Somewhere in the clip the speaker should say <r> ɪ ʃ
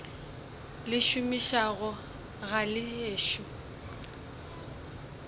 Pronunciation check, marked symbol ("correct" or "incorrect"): incorrect